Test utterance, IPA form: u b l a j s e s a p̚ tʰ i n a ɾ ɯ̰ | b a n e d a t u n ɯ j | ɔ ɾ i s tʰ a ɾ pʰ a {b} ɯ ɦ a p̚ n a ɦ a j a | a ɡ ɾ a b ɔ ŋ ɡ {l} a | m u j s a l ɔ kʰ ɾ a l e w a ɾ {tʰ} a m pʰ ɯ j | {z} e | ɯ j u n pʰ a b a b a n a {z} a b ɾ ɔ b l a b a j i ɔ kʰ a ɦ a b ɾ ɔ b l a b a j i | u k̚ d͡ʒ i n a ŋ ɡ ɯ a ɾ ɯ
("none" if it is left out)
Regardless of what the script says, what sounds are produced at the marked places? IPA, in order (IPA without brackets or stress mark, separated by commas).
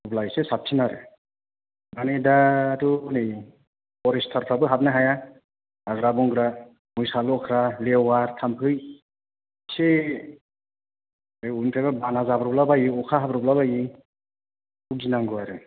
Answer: b, ɾ, tʰ, s, z